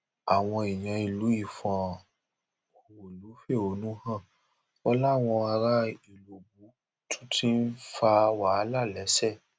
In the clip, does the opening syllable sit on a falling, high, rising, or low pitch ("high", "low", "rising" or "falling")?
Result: low